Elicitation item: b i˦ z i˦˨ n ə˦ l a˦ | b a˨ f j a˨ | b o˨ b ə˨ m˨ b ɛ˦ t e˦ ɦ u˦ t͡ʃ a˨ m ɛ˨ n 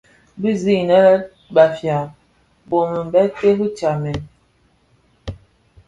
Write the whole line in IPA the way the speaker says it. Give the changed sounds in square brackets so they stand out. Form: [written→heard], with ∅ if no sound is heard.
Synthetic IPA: b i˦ z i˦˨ n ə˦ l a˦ | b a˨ f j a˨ | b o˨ [b→m] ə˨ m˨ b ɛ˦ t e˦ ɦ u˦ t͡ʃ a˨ m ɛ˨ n